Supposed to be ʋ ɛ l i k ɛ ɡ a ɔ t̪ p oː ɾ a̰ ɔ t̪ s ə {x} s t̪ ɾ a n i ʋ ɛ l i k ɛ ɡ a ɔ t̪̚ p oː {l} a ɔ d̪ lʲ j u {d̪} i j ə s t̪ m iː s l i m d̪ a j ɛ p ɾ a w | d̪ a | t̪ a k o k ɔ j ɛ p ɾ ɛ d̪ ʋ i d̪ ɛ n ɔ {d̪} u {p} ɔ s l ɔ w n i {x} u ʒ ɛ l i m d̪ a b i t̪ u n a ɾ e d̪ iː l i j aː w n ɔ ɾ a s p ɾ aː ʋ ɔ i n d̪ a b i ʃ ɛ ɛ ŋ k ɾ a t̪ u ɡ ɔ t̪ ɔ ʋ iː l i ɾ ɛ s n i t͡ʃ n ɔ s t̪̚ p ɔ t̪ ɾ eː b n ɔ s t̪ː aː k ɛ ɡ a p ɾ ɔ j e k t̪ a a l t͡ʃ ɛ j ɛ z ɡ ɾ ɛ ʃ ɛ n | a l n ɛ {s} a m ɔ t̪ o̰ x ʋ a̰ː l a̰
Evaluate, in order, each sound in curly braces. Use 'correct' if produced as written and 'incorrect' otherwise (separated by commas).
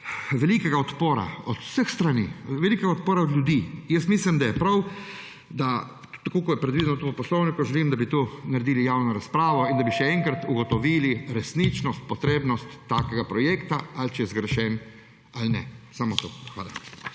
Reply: correct, incorrect, correct, incorrect, correct, incorrect, correct